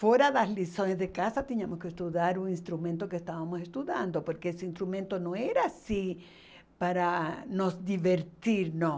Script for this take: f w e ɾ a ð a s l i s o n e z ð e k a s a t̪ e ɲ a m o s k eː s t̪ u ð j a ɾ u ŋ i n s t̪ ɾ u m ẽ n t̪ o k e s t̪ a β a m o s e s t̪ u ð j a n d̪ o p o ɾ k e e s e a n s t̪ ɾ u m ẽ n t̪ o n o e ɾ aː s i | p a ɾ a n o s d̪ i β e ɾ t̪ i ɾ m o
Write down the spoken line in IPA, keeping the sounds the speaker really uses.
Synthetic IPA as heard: f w e ɾ a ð a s l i s o n e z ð e k a s a t̪ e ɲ a m o s k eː s t̪ u ð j a ɾ u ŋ i n s t̪ ɾ u m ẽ n t̪ o k e s t̪ a β a m o s e s t̪ u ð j a n d̪ o p o ɾ k e e s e i n s t̪ ɾ u m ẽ n t̪ o n o e ɾ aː s i | p a ɾ a n o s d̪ i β e ɾ t̪ i ɾ n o